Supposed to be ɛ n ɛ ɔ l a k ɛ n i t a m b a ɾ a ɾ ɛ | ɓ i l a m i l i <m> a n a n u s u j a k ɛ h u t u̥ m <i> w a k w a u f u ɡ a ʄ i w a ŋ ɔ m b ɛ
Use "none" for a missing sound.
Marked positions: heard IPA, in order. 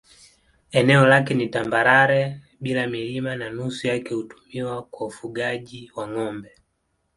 m, i

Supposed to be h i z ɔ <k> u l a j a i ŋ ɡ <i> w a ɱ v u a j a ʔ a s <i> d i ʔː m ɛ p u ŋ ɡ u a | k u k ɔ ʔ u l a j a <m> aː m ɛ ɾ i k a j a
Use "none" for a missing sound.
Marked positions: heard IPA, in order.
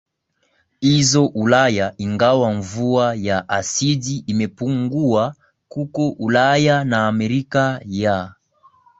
ʔ, a, i, n

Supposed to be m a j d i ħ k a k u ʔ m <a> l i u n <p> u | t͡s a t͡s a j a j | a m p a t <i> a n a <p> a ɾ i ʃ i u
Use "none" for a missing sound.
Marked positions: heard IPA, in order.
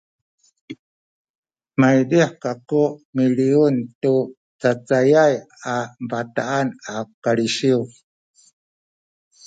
i, t, a, k

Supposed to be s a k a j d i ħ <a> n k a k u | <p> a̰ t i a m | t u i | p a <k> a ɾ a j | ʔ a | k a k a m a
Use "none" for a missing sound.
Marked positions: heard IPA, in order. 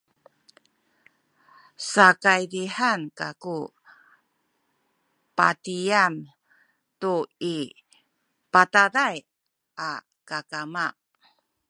a, p, t

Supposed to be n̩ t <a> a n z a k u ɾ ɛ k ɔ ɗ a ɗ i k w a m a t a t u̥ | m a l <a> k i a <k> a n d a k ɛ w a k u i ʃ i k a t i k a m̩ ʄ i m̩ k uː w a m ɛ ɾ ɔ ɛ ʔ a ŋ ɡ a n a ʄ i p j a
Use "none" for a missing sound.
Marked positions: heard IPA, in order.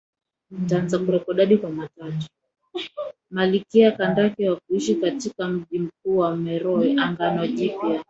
a, i, k

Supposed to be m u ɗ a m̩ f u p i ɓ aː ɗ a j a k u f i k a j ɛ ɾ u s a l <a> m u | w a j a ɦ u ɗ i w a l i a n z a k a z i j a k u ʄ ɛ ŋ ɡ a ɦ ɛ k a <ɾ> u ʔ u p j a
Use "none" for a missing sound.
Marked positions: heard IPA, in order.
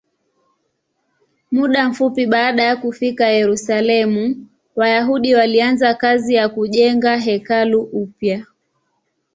ɛ, l

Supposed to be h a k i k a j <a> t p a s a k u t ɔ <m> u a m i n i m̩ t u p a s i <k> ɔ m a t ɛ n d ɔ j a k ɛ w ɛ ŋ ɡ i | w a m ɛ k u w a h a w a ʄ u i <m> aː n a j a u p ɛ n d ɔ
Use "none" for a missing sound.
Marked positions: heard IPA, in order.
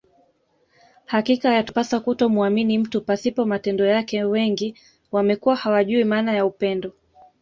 a, m, p, m

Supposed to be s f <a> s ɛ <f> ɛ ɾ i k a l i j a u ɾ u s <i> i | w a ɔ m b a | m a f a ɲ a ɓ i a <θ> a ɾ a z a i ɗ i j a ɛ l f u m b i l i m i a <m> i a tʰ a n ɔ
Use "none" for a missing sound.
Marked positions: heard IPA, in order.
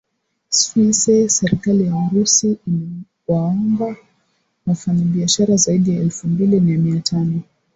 i, s, i, ʃ, m

